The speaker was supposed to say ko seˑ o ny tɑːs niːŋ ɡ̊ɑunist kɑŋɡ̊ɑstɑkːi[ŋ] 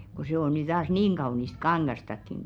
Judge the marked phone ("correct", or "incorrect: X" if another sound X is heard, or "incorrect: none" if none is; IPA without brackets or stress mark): correct